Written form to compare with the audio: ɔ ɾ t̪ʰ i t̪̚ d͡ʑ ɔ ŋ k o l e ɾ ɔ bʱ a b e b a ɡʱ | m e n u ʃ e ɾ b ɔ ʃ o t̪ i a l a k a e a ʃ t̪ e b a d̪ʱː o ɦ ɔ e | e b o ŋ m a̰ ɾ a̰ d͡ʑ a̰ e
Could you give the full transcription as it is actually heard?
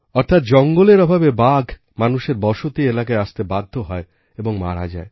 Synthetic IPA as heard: ɔ ɾ t̪ʰ a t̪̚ d͡ʑ ɔ ŋ ɡ o l e ɾ ɔ bʱ a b e b a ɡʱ | m a n u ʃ e ɾ b ɔ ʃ o t̪ i e l a k a e a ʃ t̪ e b a d̪ʱː o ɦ ɔ e | e b o ŋ m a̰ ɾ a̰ d͡ʑ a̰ e